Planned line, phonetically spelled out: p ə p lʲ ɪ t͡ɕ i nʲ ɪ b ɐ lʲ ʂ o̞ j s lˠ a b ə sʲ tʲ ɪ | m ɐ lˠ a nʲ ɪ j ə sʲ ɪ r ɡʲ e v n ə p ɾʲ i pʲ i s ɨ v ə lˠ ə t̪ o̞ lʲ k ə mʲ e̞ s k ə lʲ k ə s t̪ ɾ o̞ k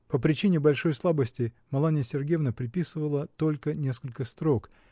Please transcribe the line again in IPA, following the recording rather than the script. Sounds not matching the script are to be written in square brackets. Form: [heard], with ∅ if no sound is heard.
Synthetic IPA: p ə p [ɾʲ] ɪ t͡ɕ i nʲ ɪ b ɐ lʲ ʂ o̞ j s lˠ a b ə sʲ tʲ ɪ | m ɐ lˠ a nʲ ɪ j ə sʲ ɪ r ɡʲ e v n ə p ɾʲ [ɪ] pʲ i s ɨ v ə lˠ ə t̪ o̞ lʲ k ə [nʲ] e̞ s k ə lʲ k ə s t̪ ɾ o̞ k